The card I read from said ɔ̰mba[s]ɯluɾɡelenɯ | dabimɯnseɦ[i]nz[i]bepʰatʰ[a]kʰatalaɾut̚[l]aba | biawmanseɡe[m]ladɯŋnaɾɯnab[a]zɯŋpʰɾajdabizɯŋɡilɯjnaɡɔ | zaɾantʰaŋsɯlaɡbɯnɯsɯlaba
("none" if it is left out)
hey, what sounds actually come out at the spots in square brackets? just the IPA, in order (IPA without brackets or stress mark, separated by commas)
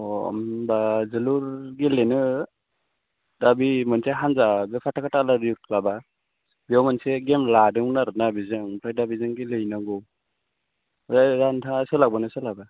z, a, a, a, l, m, i